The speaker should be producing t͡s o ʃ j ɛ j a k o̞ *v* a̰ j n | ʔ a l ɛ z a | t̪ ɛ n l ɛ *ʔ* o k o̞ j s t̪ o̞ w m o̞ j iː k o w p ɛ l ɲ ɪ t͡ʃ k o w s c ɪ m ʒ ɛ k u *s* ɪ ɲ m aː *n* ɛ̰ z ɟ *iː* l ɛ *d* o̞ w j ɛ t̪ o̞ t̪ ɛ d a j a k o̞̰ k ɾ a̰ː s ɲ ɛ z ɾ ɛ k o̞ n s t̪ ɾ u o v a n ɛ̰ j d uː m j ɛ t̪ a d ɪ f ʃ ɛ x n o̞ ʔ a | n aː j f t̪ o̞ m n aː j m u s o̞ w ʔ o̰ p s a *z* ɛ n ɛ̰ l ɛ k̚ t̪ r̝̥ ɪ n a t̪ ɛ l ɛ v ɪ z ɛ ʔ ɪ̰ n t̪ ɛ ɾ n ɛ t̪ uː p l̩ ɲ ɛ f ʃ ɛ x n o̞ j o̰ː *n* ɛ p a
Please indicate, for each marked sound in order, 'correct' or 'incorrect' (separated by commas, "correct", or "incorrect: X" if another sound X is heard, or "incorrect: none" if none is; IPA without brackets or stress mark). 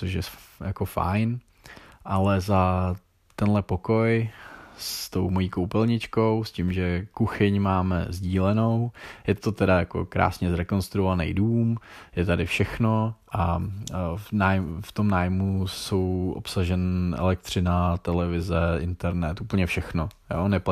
incorrect: f, incorrect: p, incorrect: x, incorrect: m, correct, incorrect: n, incorrect: ʒ, correct